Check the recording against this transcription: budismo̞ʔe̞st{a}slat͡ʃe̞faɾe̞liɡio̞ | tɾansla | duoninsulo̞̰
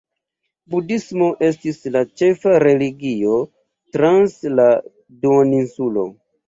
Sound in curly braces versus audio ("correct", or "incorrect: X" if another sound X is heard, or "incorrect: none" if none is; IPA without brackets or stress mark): incorrect: i